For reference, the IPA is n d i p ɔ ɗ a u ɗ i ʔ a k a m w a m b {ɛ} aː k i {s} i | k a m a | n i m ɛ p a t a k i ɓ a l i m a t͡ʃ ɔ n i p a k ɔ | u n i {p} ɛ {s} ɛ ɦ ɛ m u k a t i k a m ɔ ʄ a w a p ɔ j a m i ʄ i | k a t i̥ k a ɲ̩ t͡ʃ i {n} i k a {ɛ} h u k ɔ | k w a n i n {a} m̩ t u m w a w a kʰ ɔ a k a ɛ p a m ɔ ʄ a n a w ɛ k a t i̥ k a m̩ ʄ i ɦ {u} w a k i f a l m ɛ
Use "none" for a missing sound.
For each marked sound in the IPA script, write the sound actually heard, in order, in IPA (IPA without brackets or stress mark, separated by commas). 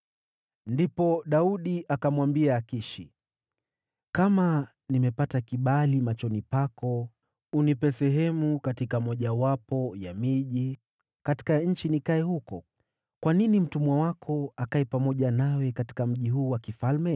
i, ʃ, p, s, n, ɛ, i, uː